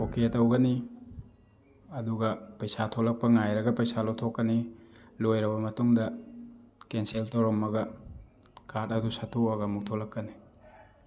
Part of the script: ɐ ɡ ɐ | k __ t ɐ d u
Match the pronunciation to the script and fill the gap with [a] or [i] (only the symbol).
a